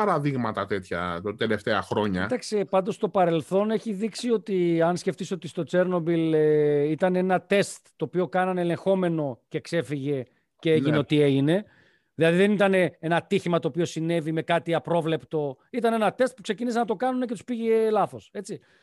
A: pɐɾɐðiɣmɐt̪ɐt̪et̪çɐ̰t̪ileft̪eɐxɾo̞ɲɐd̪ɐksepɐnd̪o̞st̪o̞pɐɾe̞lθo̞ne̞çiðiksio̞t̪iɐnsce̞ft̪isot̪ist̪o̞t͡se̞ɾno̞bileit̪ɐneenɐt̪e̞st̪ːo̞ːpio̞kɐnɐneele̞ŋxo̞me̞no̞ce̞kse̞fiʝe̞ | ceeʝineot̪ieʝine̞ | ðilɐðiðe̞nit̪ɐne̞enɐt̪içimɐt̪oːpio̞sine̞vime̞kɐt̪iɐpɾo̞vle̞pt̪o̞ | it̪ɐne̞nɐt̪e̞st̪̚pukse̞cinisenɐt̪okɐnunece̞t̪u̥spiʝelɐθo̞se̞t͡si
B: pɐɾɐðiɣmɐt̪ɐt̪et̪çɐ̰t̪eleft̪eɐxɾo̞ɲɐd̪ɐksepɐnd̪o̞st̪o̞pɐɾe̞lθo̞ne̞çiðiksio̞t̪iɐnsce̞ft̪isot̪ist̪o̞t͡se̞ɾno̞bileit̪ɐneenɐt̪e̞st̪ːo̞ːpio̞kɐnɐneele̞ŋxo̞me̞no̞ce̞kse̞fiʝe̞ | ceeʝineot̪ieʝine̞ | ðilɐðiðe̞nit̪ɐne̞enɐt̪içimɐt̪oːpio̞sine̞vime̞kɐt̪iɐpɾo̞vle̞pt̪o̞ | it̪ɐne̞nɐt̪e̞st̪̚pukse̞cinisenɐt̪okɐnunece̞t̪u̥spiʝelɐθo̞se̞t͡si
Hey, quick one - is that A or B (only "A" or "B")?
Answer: B